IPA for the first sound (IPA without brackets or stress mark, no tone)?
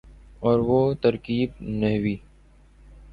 ɔː